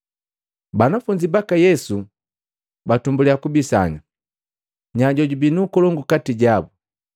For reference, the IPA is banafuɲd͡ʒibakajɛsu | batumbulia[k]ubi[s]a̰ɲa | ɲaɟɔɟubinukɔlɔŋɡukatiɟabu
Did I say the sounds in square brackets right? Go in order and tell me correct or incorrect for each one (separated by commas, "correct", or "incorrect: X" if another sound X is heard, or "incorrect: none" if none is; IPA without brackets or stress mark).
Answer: correct, correct